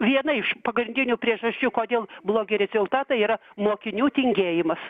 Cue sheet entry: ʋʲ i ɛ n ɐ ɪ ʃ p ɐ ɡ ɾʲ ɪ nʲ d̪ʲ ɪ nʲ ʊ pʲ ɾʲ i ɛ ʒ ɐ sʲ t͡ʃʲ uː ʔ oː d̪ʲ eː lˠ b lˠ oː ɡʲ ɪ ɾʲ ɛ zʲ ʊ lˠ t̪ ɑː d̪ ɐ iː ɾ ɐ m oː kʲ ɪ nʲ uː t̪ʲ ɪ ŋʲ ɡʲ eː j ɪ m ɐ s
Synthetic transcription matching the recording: ʋʲ i ɛ n ɐ ɪ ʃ p ɐ ɡ ɾʲ ɪ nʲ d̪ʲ ɪ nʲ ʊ pʲ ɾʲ i ɛ ʒ ɐ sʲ t͡ʃʲ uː k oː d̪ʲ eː lˠ b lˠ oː ɡʲ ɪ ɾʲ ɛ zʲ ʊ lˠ t̪ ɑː t̪ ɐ iː ɾ ɐ m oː kʲ ɪ nʲ uː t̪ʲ ɪ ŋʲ ɡʲ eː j ɪ m ɐ s